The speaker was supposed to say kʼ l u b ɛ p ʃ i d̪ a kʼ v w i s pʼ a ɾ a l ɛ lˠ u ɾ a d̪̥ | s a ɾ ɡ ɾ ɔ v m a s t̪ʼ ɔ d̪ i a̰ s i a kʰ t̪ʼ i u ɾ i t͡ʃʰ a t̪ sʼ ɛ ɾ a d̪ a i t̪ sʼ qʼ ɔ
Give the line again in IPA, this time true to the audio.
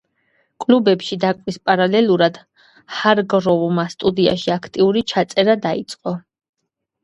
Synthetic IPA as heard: kʼ l u b ɛ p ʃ i d̪ a kʼ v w i s pʼ a ɾ a l ɛ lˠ u ɾ a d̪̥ | h a ɾ ɡ ɾ ɔ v m a s t̪ʼ u d̪ i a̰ ʃ i a kʰ t̪ʼ i u ɾ i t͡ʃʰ a t̪ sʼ ɛ ɾ a d̪ a i t̪ sʼ qʼ ɔ